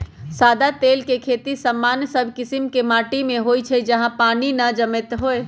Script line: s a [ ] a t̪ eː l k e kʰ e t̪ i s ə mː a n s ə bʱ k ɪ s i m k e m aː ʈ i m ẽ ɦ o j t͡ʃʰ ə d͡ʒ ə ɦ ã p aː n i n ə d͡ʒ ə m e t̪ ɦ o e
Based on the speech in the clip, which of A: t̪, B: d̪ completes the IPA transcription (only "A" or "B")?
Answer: B